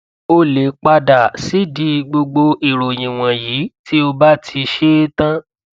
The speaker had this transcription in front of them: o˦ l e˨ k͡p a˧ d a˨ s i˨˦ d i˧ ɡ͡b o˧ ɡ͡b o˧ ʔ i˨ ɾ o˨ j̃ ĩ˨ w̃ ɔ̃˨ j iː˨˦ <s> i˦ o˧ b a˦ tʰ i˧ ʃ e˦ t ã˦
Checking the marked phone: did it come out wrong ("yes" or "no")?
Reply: yes